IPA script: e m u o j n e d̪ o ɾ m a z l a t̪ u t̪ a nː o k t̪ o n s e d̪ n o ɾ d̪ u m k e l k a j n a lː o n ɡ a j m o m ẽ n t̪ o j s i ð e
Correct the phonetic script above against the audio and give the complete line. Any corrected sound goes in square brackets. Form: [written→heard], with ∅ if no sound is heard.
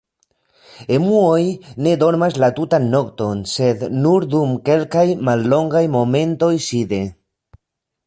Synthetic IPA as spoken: e m u o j n e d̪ o ɾ m a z l a t̪ u t̪ a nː o k t̪ o n s e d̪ n [o→u] ɾ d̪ u m k e l k a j [n→m] a lː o [n→ŋ] ɡ a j m o m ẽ n t̪ o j s i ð e